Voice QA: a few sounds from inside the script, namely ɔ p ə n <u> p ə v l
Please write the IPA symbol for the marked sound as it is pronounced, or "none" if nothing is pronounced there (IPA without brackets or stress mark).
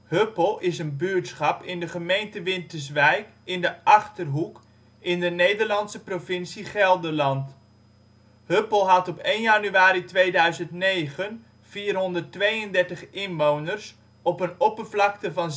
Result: ɔ